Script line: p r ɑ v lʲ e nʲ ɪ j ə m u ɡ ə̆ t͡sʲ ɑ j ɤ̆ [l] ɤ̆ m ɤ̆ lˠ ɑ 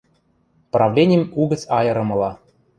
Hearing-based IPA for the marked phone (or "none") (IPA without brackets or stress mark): ɾ